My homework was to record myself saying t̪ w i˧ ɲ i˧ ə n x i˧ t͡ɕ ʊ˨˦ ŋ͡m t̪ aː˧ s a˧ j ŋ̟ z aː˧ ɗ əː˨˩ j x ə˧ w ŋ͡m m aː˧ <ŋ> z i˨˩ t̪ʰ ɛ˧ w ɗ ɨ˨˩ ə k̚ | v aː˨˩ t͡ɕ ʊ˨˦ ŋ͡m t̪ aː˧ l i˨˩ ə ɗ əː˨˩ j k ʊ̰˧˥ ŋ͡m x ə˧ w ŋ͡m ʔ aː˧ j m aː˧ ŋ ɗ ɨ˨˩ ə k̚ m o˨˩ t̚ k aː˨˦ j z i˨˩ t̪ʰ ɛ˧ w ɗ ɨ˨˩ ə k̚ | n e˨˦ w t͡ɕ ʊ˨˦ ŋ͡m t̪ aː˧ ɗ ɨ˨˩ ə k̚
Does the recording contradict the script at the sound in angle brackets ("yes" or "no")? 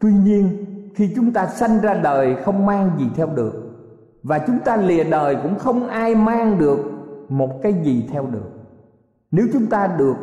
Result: no